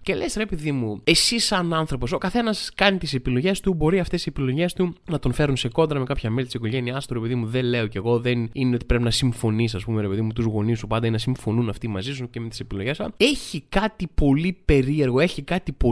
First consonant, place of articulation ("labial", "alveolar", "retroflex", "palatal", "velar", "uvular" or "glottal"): palatal